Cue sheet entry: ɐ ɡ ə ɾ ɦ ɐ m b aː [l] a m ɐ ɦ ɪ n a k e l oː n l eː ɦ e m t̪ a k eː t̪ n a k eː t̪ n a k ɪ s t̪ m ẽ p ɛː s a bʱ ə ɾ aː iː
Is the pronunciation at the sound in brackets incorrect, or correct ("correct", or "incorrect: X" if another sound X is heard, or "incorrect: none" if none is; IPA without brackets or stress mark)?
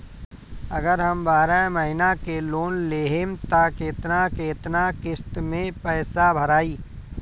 incorrect: ɾ